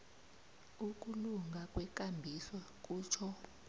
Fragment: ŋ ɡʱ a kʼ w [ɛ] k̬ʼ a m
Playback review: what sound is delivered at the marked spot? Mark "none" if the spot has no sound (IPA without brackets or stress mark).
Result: ɛ